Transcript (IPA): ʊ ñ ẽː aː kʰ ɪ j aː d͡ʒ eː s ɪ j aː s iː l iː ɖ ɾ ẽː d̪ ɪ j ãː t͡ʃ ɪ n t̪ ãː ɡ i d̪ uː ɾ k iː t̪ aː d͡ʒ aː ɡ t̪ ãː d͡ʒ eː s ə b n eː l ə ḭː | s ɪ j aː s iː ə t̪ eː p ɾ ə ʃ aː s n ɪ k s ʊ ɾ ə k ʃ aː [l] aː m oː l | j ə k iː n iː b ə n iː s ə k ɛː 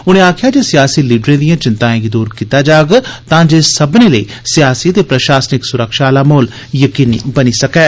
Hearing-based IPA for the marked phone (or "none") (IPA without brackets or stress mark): l